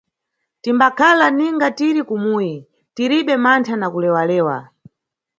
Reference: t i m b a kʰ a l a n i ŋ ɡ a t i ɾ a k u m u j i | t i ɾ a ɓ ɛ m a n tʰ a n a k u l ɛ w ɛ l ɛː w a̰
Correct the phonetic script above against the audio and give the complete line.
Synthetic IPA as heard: t i m b a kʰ a l a n i ŋ ɡ a t i ɾ i k u m u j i | t i ɾ i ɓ ɛ m a n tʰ a n a k u l ɛ w a l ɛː w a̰